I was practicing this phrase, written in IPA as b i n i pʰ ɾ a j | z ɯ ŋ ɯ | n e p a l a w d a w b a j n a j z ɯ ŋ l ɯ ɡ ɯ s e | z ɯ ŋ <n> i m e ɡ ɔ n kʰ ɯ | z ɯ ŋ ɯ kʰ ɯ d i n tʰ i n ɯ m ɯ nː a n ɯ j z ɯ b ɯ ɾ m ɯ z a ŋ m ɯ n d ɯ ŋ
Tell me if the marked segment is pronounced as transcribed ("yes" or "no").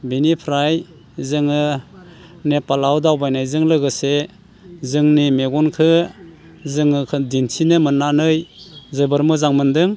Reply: yes